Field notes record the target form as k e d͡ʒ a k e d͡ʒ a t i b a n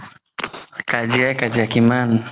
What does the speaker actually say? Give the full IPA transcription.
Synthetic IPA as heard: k a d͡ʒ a k a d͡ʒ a k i m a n